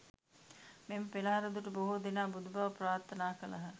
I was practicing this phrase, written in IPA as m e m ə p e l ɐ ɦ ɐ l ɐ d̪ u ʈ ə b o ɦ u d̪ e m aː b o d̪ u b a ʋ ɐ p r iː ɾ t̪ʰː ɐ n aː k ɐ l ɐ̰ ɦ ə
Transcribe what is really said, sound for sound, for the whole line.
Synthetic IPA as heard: m e m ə p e l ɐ ɦ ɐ ɾ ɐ d̪ u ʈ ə b o ɦ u d̪ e n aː b u d̪ u b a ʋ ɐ p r aː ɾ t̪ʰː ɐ n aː k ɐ l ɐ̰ ɦ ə